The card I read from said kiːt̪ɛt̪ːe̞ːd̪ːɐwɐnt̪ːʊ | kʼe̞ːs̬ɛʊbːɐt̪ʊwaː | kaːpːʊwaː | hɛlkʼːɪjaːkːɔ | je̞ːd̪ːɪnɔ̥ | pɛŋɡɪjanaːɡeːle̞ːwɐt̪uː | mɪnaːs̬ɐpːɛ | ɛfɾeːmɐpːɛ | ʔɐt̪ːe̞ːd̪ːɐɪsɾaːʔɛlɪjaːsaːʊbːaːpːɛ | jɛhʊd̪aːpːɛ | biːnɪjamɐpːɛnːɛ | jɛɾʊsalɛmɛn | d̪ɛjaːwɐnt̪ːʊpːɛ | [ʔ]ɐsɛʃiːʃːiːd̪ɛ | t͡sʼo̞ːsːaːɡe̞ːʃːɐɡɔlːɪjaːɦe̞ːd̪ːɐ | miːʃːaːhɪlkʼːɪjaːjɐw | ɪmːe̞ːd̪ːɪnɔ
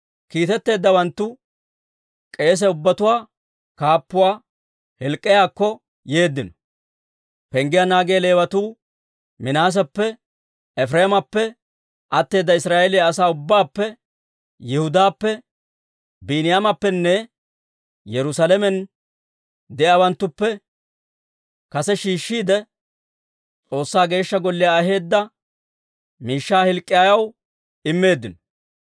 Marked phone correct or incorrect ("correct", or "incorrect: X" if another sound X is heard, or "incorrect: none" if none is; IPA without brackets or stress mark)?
incorrect: k